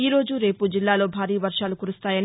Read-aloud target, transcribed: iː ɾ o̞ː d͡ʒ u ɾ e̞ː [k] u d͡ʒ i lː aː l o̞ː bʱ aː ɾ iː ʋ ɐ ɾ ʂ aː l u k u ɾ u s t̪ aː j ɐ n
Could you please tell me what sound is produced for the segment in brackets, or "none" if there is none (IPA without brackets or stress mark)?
p